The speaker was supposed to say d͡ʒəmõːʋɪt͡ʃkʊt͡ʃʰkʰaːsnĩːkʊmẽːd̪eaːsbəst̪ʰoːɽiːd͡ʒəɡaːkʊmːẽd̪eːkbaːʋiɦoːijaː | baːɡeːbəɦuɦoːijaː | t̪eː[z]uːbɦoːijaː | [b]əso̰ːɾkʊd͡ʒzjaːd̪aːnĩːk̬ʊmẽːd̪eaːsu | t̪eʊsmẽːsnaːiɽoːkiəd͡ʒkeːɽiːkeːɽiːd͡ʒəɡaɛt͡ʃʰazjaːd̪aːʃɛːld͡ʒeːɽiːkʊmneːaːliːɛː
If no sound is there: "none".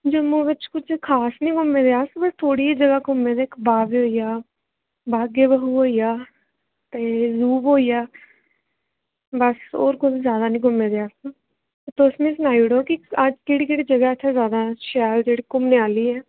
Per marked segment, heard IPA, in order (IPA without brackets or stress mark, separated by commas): z, b